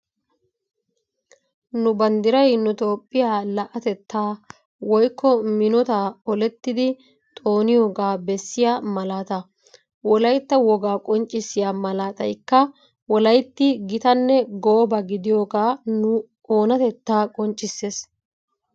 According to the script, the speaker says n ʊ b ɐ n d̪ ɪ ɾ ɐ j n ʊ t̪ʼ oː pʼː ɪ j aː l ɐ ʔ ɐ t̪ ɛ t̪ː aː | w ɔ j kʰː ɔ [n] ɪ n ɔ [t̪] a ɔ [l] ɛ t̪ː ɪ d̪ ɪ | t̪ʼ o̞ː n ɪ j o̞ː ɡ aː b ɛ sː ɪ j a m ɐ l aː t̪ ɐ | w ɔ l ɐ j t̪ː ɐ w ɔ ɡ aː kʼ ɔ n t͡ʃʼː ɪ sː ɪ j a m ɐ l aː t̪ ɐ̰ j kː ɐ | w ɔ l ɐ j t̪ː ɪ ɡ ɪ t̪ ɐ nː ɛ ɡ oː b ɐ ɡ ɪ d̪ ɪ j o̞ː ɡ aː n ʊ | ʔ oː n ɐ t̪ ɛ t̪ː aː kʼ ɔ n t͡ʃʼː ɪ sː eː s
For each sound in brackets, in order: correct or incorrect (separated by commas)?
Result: incorrect, correct, correct